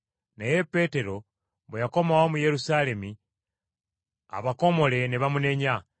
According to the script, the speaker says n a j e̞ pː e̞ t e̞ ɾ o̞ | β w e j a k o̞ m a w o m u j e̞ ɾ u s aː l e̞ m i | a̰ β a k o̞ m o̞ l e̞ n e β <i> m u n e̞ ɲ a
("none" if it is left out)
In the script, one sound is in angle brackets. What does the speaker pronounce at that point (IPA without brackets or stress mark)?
a